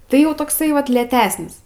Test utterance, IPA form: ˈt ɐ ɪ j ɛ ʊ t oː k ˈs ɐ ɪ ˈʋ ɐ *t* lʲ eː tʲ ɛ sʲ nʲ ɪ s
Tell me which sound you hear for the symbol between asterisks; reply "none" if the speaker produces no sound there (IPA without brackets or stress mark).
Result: t